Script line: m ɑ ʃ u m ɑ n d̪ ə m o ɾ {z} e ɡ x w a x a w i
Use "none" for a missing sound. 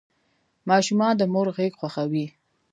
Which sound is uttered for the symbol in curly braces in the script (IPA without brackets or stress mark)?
ɣ